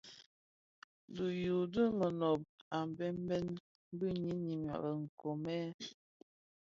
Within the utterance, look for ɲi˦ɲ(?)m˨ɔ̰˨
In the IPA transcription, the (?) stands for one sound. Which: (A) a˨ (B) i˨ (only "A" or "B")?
B